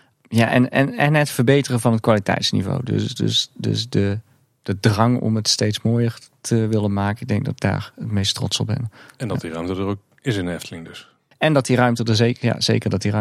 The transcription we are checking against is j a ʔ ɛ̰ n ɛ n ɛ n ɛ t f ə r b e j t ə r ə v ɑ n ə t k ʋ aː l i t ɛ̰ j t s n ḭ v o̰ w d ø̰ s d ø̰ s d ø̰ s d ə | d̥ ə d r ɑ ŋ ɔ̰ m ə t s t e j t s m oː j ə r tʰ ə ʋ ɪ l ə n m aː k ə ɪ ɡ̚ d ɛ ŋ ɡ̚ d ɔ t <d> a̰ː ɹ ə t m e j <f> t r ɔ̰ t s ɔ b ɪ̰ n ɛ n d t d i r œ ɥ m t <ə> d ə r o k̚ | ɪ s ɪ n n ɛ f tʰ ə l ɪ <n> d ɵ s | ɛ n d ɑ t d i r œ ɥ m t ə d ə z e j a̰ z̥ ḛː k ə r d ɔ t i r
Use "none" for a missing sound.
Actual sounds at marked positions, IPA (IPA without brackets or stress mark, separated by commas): d, s, ə, ŋ